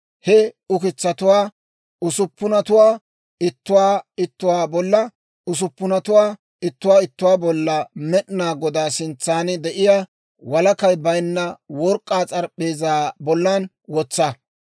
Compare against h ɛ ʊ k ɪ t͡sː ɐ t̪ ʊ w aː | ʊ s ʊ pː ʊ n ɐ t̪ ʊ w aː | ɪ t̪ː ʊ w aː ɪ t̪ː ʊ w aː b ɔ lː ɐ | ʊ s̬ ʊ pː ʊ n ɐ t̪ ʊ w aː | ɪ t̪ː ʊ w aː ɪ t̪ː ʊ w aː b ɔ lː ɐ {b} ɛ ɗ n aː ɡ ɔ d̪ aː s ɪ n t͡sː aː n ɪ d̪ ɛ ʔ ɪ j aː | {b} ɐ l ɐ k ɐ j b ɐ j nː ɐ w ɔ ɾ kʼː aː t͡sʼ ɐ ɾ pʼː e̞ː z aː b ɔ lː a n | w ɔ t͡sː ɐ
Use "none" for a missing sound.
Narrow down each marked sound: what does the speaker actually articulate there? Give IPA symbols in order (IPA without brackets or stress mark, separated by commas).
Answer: m, w